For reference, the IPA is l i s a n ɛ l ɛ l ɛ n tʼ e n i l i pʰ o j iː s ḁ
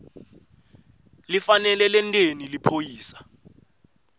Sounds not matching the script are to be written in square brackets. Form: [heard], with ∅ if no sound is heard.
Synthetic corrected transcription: l i [f] a n ɛ l ɛ l ɛ n tʼ e n i l i pʰ o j iː s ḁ